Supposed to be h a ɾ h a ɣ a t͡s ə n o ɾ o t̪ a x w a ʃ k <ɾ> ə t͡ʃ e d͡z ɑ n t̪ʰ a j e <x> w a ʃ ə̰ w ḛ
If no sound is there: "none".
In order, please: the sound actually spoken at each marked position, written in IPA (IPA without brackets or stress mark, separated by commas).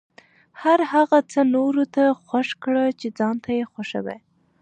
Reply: ɽ, x